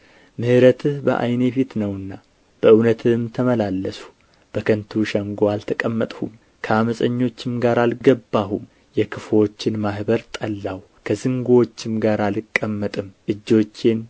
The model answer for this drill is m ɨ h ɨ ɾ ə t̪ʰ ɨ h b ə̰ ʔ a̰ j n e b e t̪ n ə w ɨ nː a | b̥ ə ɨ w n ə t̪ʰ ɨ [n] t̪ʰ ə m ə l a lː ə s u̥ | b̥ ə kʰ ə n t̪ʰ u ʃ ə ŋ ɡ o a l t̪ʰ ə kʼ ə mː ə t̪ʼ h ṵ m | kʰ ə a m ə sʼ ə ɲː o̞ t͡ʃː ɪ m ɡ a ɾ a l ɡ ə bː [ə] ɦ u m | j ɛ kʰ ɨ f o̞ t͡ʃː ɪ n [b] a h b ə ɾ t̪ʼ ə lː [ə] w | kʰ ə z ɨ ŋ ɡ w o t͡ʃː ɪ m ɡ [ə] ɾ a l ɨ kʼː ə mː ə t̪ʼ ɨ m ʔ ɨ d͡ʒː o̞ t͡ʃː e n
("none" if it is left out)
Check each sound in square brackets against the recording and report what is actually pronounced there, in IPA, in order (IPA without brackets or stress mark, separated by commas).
m, a, m, a, a